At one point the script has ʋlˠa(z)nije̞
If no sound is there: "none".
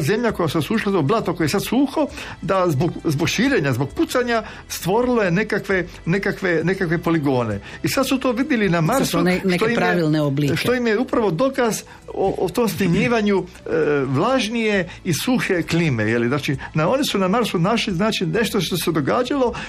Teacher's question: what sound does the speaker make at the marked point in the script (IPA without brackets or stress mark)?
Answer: ʒ